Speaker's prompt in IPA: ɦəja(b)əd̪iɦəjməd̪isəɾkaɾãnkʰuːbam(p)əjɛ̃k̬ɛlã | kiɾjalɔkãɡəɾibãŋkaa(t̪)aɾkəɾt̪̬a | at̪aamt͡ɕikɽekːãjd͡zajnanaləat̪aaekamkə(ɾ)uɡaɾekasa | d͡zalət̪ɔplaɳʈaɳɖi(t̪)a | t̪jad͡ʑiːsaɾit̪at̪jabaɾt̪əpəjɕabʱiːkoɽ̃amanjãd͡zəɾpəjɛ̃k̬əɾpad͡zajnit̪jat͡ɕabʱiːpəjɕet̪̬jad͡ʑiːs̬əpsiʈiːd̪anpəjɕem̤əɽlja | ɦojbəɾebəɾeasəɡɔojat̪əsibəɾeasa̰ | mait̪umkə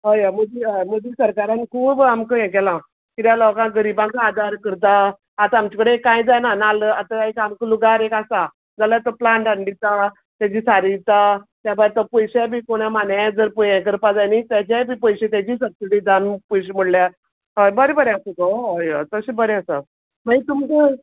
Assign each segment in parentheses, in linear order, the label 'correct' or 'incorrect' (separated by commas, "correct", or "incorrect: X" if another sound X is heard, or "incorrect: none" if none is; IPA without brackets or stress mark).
incorrect: m, incorrect: k, incorrect: d̪, incorrect: l, correct